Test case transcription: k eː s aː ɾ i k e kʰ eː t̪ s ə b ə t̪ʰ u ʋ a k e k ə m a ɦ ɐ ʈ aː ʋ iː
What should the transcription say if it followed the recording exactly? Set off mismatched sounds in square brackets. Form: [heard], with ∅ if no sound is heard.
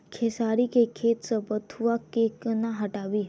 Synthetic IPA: [kʰ] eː s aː ɾ i k e kʰ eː t̪ s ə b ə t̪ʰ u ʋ a k e k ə [n] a ɦ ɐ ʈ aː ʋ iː